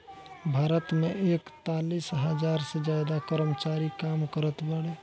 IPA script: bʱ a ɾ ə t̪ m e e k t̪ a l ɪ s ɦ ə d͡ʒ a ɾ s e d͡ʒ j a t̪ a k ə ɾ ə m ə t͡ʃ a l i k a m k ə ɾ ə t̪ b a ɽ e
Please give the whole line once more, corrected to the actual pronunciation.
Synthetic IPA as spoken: bʱ a ɾ ə t̪ m e e k t̪ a l i s ɦ ə d͡ʒ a ɾ s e d͡ʒ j a d̪ a k ə ɾ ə m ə t͡ʃ a ɾ i k a m k ə ɾ ə t̪ b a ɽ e

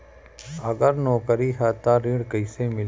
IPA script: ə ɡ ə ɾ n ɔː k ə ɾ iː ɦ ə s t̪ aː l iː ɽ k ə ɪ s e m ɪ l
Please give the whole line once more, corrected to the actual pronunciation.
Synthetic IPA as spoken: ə ɡ ə ɾ n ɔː k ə ɾ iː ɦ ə t̪ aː ɾ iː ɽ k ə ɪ s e m ɪ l

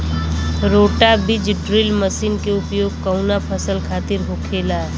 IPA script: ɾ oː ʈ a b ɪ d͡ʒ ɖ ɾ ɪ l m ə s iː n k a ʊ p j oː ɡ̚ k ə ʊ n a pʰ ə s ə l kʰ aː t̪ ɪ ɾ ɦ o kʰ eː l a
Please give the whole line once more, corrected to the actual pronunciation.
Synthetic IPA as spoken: ɾ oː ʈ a b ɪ d͡ʒ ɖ ɾ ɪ l m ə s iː n k e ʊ p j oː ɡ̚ k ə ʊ n a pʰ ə s ə l kʰ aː t̪ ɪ ɾ ɦ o kʰ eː l a

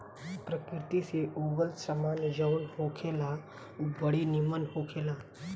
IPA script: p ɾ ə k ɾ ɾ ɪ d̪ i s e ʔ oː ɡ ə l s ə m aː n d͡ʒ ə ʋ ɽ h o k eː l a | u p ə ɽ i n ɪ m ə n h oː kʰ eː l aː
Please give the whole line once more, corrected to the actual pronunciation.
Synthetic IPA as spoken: p ɾ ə k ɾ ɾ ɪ t̪ i s e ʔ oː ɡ ə l s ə m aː n d͡ʒ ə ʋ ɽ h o kʰ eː l a | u b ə ɽ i n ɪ m ə n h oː kʰ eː l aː

